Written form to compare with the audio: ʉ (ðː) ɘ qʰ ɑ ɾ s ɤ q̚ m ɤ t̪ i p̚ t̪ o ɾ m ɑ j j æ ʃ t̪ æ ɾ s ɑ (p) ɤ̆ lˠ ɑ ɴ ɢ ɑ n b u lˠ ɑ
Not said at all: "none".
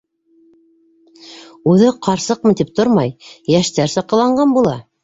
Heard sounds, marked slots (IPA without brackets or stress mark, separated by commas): ð, q